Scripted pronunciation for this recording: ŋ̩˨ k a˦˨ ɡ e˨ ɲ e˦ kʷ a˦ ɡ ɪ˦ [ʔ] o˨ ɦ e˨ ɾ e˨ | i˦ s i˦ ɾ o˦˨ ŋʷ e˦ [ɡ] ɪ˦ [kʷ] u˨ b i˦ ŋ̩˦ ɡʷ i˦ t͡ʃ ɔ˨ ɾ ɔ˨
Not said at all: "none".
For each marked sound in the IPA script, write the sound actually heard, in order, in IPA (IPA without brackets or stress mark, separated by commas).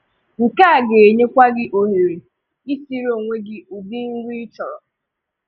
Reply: ʔ, ɡ, none